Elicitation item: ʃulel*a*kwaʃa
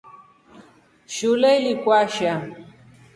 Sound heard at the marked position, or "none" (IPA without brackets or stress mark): i